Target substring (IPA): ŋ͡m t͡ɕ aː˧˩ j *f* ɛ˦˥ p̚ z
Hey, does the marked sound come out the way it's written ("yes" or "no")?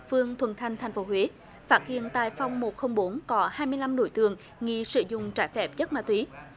yes